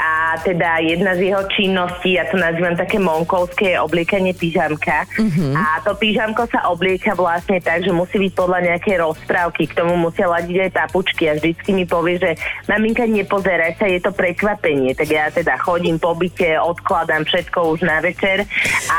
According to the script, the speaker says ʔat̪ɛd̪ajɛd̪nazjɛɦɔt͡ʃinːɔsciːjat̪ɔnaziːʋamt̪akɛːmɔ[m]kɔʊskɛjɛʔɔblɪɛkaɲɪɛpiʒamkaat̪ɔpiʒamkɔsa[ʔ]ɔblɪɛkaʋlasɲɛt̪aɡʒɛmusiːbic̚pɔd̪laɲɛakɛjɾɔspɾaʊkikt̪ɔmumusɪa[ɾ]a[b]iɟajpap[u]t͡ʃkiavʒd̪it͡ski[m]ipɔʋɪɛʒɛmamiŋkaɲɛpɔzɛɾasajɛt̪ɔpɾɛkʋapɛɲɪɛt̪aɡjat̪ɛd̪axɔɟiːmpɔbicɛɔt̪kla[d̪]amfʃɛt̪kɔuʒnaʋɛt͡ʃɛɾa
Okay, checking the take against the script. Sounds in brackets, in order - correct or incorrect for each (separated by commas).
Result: incorrect, correct, incorrect, incorrect, correct, correct, correct